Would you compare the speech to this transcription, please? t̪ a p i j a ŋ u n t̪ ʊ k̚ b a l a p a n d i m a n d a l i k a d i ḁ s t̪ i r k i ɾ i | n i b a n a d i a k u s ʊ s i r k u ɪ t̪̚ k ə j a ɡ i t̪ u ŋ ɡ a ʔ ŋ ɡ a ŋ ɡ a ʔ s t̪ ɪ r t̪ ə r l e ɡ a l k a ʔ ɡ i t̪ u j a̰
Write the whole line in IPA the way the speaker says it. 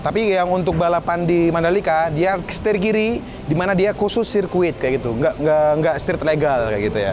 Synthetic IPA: t̪ a p i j a ŋ u n t̪ ʊ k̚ b a l a p a n d i m a n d a l i k a d i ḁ s t̪ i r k i ɾ i | d i m a n a d i a k u s ʊ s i r k u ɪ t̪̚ k a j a ɡ i t̪ u ŋ ɡ a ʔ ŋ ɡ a ŋ ɡ a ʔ s t̪ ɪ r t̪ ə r l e ɡ a l k a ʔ ɡ i t̪ u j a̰